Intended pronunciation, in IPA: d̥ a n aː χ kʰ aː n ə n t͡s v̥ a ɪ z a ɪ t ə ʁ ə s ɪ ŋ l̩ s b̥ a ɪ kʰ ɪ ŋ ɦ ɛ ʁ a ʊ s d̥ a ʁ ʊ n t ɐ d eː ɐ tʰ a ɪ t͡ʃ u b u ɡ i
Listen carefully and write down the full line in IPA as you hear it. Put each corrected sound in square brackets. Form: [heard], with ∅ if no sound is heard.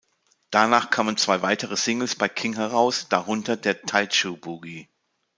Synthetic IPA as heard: d̥ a n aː χ kʰ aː [m] ə n t͡s v̥ a ɪ [v] a ɪ t ə ʁ ə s ɪ ŋ l̩ s b̥ a ɪ kʰ ɪ ŋ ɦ ɛ ʁ a ʊ s d̥ a ʁ ʊ n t ɐ d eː ɐ tʰ a ɪ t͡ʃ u b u ɡ i